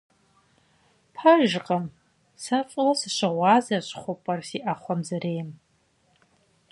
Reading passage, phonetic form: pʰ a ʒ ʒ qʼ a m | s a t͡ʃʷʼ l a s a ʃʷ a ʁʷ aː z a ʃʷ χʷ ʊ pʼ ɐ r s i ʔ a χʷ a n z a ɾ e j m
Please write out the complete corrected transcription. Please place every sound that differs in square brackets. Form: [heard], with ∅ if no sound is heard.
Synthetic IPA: pʰ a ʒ ʒ qʼ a m | s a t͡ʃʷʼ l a s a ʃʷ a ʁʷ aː z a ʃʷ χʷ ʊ pʼ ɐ r s i ʔ a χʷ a [m] z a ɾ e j m